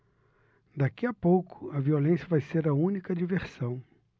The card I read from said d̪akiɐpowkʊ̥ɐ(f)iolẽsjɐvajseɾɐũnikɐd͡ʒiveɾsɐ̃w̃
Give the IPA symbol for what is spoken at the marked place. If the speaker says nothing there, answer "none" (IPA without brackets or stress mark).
v